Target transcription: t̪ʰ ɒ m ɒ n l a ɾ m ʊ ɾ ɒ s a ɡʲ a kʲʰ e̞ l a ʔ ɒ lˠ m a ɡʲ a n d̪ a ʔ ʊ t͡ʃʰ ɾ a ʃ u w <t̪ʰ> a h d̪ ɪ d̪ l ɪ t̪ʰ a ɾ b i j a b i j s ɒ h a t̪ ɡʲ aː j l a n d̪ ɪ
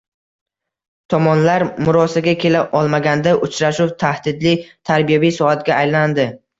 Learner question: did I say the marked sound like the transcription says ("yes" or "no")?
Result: yes